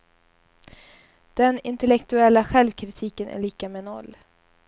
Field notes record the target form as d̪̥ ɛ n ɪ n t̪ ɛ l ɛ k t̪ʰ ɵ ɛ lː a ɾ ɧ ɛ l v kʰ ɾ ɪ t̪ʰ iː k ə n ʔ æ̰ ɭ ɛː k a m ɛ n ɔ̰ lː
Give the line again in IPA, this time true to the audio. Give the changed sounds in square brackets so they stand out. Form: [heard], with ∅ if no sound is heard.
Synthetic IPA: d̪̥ ɛ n ɪ n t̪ ɛ l ɛ k [t̪] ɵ ɛ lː a [∅] ɧ ɛ l v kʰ ɾ ɪ t̪ʰ iː k ə n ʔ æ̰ ɭ [iː] k a m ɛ n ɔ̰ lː